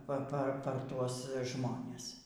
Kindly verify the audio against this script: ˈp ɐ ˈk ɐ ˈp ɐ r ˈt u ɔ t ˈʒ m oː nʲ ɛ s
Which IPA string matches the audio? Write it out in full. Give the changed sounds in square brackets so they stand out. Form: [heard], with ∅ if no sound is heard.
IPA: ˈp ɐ [ˈp] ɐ ˈp ɐ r ˈt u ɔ [s] ˈʒ m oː nʲ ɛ s